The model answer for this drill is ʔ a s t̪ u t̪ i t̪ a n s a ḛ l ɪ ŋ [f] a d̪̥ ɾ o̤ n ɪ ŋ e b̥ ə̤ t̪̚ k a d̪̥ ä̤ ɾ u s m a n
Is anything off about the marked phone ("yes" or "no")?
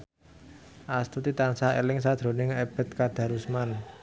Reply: yes